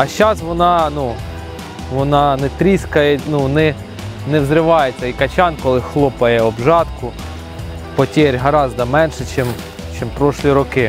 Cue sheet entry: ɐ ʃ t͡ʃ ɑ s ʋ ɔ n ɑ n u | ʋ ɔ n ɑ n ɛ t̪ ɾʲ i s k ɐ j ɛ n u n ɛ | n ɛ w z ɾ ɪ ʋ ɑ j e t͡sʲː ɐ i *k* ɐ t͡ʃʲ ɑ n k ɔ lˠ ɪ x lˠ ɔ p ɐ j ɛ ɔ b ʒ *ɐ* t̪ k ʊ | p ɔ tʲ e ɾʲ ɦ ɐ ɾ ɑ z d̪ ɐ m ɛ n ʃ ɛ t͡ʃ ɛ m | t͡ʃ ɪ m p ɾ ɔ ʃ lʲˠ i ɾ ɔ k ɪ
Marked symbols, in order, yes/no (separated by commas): yes, no